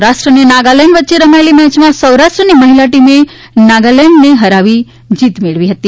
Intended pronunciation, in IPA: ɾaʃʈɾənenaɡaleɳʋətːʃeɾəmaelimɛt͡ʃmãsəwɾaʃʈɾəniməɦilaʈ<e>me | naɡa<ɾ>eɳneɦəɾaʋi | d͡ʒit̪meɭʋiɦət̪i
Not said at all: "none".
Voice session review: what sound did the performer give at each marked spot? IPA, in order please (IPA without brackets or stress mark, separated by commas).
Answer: i, l